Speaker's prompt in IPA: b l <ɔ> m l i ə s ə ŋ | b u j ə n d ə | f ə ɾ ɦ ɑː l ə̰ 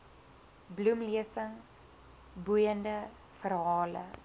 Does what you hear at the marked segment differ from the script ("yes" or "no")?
yes